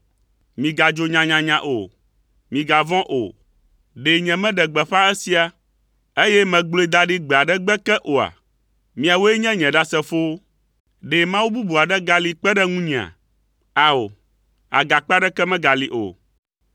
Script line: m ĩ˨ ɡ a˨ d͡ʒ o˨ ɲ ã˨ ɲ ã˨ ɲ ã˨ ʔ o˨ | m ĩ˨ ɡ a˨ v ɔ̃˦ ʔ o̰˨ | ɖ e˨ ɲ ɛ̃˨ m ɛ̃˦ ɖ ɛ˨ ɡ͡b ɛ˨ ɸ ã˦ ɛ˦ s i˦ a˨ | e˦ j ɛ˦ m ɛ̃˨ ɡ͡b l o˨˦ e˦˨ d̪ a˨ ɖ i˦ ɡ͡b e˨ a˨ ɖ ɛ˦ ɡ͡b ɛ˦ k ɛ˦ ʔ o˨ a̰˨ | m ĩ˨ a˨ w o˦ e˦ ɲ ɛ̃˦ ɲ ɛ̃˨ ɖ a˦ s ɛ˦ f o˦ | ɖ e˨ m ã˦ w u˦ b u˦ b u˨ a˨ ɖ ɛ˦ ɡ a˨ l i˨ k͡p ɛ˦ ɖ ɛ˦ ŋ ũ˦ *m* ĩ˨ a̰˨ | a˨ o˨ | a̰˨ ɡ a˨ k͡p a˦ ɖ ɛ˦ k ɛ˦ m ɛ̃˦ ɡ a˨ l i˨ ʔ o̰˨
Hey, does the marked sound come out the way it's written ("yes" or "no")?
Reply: no